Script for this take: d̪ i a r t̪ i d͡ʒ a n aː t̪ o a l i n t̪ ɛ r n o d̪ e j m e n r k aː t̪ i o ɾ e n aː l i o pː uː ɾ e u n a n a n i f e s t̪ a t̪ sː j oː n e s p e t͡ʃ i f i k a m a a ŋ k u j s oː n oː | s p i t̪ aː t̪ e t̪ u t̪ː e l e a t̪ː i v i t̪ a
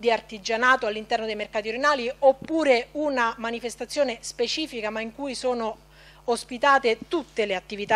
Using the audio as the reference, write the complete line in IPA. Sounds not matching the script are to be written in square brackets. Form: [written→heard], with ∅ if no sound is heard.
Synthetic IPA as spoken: d̪ i a r t̪ i d͡ʒ a n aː t̪ o a [l→lː] i n t̪ ɛ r n o d̪ e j m e [n→∅] r k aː t̪ i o ɾ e n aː l i o pː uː ɾ e u n a [n→m] a n i f e s t̪ a t̪ sː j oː n e s p e t͡ʃ [i→iː] f i k a m a [a→i] ŋ k u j s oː n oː | s p i t̪ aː t̪ e t̪ u t̪ː e l e a t̪ː i v i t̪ a